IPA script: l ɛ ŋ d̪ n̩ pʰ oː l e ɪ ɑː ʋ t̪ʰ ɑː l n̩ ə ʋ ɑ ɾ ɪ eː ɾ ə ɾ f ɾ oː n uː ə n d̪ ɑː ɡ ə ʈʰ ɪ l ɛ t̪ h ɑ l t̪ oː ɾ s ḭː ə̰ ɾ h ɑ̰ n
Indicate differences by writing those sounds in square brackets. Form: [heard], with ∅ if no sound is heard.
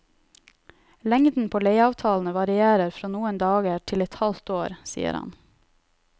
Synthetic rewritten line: l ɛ ŋ d̪ n̩ pʰ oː l e ɪ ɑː ʋ t̪ʰ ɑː l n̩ ə ʋ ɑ ɾ ɪ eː ɾ ə ɾ f ɾ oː n uː ə n d̪ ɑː ɡ ə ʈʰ ɪ l ɛ t̪ h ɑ l t̪ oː ɾ s ḭː ə̰ ɾ h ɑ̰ n